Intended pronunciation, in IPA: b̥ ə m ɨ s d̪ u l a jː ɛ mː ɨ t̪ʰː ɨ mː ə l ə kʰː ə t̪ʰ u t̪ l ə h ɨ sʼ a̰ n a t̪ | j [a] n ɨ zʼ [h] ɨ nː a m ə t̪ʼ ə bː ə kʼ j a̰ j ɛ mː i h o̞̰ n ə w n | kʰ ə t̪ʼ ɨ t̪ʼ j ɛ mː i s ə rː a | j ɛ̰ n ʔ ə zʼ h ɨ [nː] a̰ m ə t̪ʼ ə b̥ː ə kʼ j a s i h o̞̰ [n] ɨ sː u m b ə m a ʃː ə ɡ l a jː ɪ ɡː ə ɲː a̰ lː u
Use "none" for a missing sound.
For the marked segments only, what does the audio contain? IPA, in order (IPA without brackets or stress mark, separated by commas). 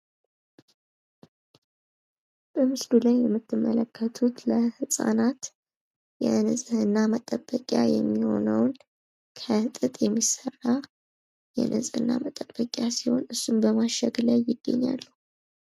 ɛ, h, nː, n